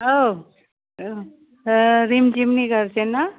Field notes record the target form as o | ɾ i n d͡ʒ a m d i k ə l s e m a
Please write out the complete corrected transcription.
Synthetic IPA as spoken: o | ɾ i m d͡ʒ i m n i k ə ɾ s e n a